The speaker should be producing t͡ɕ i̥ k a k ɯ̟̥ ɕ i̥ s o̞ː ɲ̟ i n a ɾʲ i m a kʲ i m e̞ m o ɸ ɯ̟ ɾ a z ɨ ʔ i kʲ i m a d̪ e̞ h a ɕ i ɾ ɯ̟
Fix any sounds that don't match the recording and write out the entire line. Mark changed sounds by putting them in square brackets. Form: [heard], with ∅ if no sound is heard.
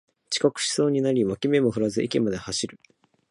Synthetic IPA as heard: t͡ɕ i̥ k a k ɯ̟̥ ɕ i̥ s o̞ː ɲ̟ i n a ɾʲ i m a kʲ i m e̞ m o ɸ ɯ̟ ɾ a z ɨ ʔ i kʲ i m a d̪ e̞ h a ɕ i ɾ ɯ̟